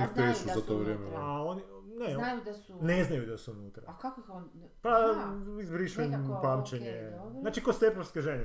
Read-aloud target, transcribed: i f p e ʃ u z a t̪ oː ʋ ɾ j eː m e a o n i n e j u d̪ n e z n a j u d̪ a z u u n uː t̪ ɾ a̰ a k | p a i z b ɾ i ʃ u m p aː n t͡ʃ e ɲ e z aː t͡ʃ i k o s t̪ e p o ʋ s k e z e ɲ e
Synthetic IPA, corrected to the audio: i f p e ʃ u z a t̪ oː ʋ ɾ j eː m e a o n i n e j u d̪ n e z n a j u d̪ a s u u n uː t̪ ɾ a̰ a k | p a i z b ɾ i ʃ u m p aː m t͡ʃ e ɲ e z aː t͡ʃ i k o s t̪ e p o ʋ s k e ʒ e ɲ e